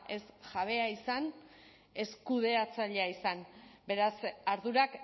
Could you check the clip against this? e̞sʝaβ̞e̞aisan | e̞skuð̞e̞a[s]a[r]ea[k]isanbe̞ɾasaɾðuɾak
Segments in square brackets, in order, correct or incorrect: incorrect, incorrect, incorrect

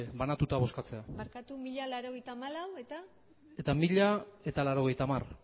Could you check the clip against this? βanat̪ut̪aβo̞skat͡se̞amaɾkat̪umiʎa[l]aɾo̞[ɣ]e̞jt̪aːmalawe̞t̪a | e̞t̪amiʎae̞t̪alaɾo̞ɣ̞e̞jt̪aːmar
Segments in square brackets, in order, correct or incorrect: correct, correct

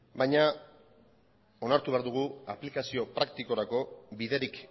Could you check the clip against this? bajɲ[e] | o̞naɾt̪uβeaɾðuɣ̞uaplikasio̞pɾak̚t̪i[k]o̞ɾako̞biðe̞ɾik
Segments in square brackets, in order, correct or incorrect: incorrect, correct

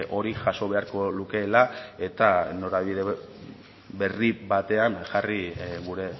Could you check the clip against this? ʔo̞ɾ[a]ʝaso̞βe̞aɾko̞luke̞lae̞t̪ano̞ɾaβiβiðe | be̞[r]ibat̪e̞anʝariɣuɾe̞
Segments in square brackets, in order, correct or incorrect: incorrect, correct

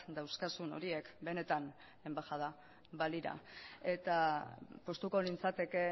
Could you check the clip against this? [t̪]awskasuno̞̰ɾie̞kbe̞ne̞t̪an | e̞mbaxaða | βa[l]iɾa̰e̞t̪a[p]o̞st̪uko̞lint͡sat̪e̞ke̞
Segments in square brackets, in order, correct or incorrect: incorrect, correct, correct

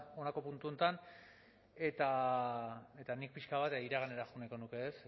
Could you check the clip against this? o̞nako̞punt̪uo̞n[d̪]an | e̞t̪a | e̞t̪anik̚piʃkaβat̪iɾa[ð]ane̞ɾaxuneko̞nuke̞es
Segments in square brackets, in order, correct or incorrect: incorrect, incorrect

